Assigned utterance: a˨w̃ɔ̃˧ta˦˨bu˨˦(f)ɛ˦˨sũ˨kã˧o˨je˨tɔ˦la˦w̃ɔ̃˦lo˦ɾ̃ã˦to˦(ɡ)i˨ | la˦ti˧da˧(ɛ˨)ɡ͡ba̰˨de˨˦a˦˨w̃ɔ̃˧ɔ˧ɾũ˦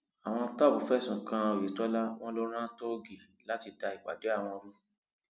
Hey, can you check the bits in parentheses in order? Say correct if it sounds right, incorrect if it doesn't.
correct, correct, incorrect: i˨

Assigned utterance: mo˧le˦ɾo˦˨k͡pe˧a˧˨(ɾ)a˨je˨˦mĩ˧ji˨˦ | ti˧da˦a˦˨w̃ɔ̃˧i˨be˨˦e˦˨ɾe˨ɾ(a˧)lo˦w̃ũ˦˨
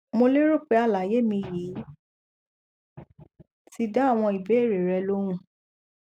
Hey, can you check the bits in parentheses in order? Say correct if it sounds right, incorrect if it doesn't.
incorrect: l, incorrect: ɛ˧

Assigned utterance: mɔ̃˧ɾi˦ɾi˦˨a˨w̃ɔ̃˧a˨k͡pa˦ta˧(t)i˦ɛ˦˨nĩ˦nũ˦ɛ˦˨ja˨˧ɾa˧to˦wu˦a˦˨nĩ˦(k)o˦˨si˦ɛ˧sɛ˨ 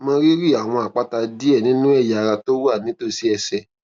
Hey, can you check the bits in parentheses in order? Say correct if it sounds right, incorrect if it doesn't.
incorrect: d, incorrect: t

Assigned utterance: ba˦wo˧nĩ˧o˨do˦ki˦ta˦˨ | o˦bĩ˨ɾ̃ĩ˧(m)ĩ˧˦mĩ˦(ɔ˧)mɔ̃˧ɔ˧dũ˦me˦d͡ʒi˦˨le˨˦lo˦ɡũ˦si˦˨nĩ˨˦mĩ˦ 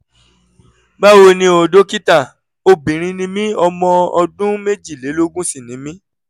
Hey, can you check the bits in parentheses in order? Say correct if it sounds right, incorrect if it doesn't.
incorrect: n, correct

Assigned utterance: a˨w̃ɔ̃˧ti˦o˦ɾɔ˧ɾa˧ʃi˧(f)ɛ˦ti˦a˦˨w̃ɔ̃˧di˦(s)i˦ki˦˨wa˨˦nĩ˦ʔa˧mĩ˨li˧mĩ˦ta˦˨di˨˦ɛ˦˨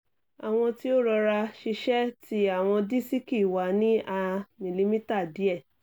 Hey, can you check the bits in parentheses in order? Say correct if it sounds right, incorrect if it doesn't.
incorrect: ʃ, correct

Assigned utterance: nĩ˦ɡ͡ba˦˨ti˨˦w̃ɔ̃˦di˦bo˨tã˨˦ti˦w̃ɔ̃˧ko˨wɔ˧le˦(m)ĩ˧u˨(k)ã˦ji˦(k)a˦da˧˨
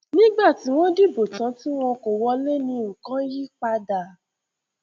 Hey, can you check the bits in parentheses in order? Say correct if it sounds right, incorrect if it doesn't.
incorrect: n, correct, incorrect: k͡p

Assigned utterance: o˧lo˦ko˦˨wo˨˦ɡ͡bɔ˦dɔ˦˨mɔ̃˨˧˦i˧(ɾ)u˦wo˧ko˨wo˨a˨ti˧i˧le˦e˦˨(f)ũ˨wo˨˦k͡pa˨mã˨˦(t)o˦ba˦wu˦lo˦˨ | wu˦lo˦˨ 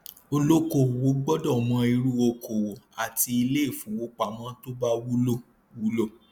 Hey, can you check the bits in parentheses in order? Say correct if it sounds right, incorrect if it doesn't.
correct, correct, correct

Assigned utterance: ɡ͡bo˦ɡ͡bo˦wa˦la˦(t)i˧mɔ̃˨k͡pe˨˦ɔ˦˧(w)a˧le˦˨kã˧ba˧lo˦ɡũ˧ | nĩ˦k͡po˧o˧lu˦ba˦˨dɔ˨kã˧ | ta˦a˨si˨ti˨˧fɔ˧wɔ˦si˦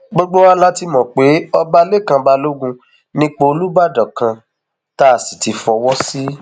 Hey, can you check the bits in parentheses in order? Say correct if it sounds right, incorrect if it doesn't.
correct, incorrect: b

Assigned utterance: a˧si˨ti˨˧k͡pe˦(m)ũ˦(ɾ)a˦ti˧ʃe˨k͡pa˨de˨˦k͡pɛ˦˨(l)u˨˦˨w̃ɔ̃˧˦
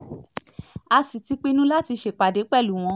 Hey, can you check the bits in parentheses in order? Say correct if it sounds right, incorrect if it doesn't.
incorrect: n, incorrect: l, correct

